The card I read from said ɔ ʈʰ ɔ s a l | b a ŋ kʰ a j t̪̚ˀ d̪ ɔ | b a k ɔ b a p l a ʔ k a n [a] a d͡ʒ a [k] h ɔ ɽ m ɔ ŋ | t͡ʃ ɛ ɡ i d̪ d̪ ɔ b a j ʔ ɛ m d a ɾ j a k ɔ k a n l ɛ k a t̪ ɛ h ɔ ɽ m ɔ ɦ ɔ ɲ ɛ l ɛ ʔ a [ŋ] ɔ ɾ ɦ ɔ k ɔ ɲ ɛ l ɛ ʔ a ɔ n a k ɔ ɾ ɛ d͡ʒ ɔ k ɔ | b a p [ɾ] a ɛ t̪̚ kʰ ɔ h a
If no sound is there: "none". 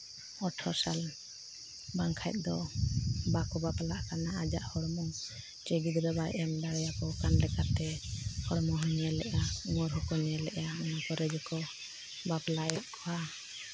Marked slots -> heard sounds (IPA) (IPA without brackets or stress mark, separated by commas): a, ʔ, ŋ, l